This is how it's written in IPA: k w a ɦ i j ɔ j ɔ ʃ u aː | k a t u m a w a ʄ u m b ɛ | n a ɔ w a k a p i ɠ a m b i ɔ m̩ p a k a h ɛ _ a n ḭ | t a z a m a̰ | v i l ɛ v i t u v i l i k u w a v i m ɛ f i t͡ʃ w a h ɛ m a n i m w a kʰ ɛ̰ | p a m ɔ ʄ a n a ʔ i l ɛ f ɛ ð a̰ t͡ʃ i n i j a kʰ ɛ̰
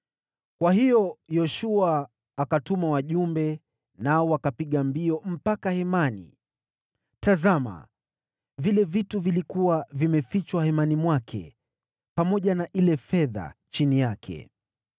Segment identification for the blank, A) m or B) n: A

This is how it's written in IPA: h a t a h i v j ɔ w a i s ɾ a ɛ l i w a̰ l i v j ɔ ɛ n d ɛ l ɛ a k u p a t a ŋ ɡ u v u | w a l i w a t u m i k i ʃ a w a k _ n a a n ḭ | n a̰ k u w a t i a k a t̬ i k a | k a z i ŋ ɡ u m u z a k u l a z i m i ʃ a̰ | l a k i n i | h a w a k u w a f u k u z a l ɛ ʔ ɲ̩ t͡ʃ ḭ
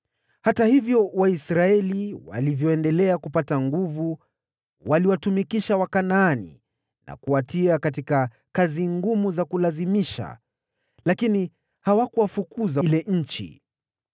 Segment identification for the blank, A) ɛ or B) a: B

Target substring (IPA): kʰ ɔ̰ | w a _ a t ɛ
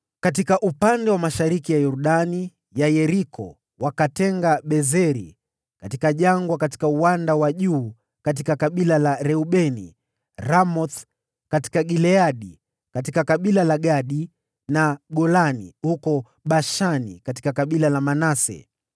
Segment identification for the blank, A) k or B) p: A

